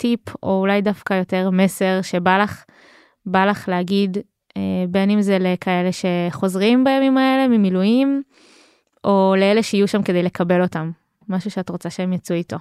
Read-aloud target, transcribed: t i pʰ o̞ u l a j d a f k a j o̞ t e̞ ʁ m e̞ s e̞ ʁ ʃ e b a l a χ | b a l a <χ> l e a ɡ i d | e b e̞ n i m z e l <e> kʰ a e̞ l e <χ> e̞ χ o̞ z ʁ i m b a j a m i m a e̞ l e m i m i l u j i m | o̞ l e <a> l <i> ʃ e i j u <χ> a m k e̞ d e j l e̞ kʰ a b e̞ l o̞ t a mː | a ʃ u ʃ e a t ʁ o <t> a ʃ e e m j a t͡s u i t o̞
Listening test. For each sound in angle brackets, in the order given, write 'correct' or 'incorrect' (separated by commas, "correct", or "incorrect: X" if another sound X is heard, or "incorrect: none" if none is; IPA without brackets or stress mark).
correct, correct, incorrect: ʃ, incorrect: e, incorrect: e, incorrect: ʃ, incorrect: t͡s